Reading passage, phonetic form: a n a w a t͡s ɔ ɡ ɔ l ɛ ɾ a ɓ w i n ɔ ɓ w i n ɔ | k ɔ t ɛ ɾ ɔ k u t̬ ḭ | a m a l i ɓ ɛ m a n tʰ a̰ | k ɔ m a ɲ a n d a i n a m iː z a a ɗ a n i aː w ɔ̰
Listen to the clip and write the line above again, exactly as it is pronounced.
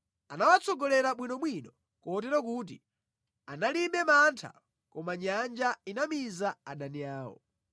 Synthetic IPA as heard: a n a w a t͡s ɔ ɡ ɔ l ɛ ɾ a ɓ w i n ɔ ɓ w i n ɔ | k ɔ t ɛ ɾ ɔ k u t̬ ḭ | a n a l i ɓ ɛ m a n tʰ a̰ | k ɔ m a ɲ a n d͡ʒ a i n a m i z a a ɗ a n i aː w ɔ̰